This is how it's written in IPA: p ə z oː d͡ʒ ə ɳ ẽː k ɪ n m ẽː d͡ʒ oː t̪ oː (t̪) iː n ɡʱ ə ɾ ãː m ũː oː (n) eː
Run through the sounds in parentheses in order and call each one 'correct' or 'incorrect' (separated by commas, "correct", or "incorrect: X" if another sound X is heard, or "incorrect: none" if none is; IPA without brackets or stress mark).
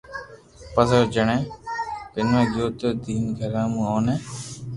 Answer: incorrect: d̪, correct